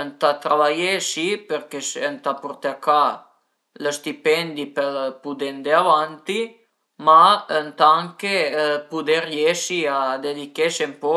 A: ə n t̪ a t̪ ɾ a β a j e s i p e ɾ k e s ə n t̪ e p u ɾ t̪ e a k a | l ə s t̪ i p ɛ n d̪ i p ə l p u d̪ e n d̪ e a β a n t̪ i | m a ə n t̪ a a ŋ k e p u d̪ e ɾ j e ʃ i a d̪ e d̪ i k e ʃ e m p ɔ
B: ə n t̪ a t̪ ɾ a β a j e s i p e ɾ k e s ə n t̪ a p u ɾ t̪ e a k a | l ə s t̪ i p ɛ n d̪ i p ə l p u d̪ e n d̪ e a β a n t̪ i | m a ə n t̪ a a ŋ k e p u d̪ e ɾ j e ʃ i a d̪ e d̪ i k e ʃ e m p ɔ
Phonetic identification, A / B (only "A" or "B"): B